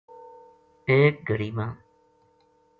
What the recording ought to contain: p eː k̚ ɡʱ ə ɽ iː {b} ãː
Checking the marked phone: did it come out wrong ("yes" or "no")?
yes